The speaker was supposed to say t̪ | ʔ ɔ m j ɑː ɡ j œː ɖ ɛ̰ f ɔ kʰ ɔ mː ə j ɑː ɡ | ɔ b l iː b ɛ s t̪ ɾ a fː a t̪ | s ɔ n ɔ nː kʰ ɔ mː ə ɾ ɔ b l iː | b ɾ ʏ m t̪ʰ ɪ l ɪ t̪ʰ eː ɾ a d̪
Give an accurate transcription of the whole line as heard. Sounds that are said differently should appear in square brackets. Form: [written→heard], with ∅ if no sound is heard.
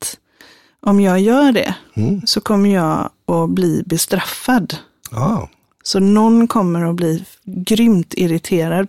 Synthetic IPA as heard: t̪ | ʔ ɔ m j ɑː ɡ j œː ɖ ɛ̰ [f→s] ɔ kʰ ɔ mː ə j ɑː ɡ | ɔ b l iː b ɛ s t̪ ɾ a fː a [t̪→d̪] | s ɔ n ɔ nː kʰ ɔ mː ə ɾ ɔ b l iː | [b→ɡ] ɾ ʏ m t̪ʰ ɪ [l→ɾ] ɪ t̪ʰ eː ɾ a d̪